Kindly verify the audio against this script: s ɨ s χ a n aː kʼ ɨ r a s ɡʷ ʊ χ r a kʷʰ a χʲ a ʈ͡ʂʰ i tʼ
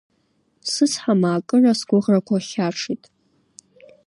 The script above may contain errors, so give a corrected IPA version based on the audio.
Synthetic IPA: s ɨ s ħ a m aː kʼ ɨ r a s ɡʷ ʊ ʁ r a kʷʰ a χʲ a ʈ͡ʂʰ i tʼ